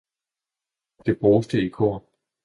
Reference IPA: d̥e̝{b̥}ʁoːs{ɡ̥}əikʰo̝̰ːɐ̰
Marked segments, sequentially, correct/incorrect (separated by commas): correct, incorrect